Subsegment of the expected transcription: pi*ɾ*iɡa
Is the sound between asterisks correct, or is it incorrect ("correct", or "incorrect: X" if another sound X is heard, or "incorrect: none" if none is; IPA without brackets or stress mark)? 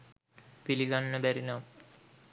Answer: incorrect: l